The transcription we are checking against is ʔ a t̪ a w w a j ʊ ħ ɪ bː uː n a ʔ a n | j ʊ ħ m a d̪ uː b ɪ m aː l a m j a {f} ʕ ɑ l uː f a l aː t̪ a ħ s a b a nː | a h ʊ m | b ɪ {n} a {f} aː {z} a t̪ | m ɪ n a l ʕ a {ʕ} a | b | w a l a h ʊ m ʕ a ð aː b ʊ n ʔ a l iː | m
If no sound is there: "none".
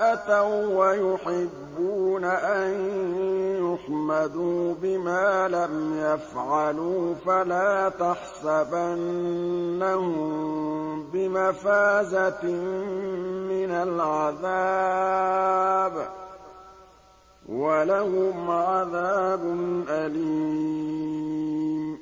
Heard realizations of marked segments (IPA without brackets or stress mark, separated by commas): f, m, f, z, ð